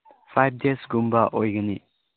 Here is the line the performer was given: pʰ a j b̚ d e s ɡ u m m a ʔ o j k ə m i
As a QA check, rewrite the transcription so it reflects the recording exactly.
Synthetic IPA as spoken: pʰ a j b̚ d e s ɡ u m b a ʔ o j ɡ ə n i